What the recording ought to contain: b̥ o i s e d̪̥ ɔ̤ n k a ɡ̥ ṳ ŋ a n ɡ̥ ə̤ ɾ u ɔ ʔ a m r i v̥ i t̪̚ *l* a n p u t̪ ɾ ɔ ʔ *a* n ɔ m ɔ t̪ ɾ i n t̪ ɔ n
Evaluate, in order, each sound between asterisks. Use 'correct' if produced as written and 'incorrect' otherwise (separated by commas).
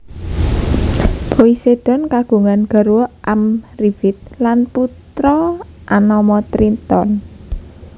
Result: correct, correct